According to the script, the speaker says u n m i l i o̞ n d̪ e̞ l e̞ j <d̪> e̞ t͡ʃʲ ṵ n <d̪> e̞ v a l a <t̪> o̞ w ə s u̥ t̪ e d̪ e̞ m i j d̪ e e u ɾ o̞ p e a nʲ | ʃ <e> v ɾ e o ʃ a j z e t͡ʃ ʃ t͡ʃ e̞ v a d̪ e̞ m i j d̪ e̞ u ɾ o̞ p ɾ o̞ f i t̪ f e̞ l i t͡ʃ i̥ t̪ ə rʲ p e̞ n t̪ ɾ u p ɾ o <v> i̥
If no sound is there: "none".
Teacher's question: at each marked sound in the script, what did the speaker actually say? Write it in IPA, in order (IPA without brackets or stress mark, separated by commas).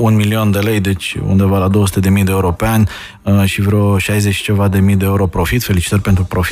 d̪, d̪, d̪, i, f